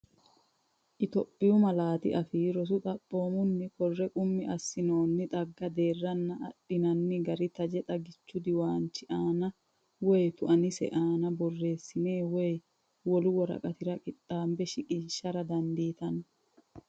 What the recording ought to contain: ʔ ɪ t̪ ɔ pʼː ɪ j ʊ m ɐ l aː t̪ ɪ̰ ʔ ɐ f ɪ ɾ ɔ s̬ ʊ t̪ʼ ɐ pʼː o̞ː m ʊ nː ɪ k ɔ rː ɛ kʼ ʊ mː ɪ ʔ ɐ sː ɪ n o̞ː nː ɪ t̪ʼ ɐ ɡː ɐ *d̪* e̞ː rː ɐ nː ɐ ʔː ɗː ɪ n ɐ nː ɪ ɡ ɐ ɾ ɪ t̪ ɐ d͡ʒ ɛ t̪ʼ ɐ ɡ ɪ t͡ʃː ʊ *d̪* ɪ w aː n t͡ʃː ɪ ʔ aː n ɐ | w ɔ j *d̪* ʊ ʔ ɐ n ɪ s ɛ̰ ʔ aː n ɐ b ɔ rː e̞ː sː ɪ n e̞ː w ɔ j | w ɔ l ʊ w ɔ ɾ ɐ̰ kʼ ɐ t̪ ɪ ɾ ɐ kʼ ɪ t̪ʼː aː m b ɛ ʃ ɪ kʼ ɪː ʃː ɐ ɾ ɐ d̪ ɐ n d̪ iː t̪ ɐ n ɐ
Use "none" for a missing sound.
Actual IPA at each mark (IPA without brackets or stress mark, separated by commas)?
d̪, d̪, t̪